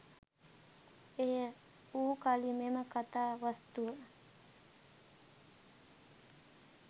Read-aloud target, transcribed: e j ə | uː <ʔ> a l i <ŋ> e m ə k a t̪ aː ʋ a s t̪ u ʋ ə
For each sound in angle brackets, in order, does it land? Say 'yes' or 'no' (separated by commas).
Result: no, no